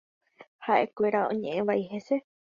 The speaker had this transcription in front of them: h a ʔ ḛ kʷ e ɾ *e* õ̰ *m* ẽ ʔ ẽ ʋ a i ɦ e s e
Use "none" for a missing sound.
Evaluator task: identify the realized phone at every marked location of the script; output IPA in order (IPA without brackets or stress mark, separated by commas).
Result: a, ɲ